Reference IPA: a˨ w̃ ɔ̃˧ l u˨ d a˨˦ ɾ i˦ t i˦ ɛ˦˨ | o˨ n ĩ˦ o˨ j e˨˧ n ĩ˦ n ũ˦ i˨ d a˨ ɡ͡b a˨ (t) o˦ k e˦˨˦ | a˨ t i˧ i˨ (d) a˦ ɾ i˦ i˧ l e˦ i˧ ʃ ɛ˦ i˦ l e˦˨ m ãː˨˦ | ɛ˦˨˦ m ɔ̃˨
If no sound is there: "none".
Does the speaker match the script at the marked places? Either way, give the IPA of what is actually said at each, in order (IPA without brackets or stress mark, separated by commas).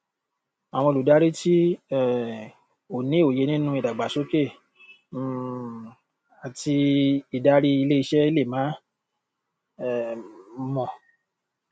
s, d